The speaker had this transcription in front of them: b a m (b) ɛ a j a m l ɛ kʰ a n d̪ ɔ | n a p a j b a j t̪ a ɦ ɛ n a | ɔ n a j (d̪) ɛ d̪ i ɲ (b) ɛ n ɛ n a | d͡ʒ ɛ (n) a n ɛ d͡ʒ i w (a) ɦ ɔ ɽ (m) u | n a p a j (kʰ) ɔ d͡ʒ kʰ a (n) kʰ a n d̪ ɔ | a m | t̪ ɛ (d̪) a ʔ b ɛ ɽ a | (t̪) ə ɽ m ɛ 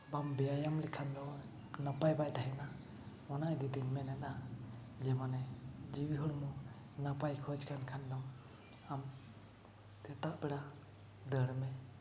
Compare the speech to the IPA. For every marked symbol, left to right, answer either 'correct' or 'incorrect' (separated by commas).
correct, correct, incorrect, incorrect, incorrect, correct, correct, correct, incorrect, incorrect